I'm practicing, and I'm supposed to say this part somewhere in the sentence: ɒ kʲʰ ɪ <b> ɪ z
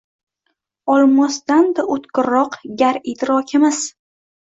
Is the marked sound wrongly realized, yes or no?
yes